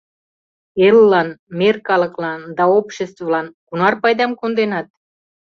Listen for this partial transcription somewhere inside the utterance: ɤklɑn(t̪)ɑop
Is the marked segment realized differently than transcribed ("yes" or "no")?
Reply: yes